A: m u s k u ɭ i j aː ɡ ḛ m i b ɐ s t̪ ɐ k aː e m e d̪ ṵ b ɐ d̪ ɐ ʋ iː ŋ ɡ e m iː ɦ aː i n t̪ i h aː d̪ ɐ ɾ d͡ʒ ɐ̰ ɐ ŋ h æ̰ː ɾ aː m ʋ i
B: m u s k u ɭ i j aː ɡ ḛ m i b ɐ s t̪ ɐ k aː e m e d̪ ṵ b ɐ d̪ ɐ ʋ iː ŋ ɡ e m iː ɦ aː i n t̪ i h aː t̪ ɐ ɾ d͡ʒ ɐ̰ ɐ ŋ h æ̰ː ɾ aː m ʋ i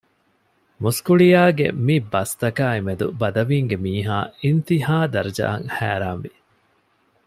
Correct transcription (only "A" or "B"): A